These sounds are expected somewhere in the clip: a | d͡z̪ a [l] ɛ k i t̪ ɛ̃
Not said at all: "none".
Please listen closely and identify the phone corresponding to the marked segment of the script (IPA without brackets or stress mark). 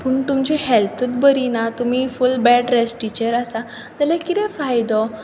l